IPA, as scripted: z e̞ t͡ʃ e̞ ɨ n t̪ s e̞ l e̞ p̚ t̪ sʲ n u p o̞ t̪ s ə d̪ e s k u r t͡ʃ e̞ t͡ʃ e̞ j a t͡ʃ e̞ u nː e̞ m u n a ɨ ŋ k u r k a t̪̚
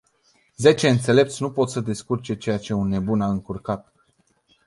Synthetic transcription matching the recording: z e̞ t͡ʃ e̞ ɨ n t̪ s e̞ l e̞ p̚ t̪ sʲ n u p o̞ t̪ s ə d̪ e s k u r t͡ʃ e̞ t͡ʃ e̞ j a t͡ʃ e̞ u nː e̞ b u n a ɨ ŋ k u r k a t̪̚